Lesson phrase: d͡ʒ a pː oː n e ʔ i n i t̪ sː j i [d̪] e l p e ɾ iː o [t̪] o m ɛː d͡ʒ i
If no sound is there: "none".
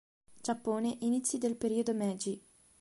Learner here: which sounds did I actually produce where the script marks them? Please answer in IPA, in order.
d̪, d̪

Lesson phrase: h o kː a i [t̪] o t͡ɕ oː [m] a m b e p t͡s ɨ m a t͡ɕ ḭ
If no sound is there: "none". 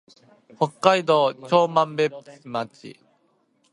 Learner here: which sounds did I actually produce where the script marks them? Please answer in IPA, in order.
d̪, m

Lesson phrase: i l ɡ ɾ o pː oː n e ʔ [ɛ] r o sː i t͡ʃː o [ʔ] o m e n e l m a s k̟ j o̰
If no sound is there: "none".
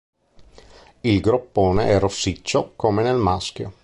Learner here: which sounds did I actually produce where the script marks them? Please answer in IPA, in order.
ɛ, k

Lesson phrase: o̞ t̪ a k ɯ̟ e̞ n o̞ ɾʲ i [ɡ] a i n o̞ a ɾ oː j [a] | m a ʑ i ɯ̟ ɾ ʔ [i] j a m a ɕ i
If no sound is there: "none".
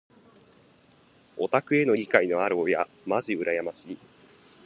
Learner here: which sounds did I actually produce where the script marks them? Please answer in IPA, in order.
k, a, a

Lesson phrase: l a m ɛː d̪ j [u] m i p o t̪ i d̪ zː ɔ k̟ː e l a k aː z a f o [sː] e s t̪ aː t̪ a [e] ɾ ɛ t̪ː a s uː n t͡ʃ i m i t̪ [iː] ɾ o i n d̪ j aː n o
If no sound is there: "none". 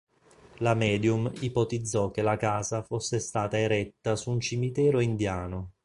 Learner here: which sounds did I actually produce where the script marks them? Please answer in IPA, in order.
u, sː, e, ɛː

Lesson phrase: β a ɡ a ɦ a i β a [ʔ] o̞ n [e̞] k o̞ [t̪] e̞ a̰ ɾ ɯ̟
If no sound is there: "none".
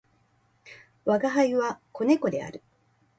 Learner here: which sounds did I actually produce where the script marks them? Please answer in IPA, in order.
k, e̞, d̪

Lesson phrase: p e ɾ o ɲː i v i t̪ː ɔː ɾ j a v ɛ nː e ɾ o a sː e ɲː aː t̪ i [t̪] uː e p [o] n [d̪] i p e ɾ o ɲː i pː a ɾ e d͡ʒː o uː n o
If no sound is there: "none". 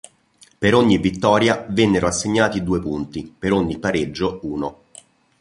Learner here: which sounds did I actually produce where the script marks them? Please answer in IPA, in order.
d̪, u, t̪

